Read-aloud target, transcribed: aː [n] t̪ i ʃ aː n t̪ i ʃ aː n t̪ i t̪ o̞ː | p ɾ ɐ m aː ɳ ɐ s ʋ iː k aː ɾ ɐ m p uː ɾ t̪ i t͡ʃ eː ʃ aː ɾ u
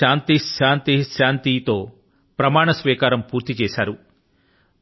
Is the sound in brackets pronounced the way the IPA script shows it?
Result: yes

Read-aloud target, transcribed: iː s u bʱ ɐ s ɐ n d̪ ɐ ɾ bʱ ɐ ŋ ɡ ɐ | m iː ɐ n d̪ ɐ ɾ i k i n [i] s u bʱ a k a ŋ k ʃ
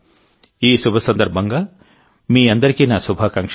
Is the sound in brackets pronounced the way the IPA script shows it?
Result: no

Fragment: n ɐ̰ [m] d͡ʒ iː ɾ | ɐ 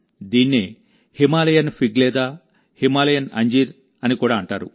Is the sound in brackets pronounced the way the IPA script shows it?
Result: no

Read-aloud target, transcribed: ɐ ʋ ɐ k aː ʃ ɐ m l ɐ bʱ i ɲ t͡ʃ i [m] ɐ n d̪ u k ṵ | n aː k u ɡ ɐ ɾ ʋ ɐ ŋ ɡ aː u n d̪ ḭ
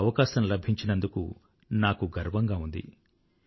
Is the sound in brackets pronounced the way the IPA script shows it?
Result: no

